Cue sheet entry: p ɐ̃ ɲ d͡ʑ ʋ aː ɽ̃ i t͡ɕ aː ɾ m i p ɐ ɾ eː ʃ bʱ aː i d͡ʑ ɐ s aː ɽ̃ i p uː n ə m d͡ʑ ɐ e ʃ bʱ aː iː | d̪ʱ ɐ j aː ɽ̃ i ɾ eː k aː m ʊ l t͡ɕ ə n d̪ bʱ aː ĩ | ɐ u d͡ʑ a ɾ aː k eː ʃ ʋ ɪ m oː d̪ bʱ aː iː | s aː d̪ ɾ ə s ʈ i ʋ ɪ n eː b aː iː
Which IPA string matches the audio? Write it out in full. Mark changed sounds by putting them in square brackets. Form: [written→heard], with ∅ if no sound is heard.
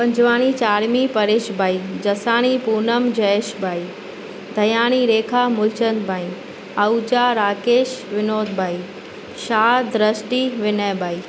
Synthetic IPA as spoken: p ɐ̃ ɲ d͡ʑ ʋ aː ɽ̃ i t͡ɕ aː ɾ m i p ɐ ɾ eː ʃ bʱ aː i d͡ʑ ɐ s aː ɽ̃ i p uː n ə m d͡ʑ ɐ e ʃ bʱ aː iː | d̪ʱ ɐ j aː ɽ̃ i ɾ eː [k→kʰ] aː m ʊ l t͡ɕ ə n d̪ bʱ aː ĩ | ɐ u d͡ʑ a ɾ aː k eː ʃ ʋ ɪ [m→n] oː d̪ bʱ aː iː | [s→ʃ] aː d̪ ɾ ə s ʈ i ʋ ɪ n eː b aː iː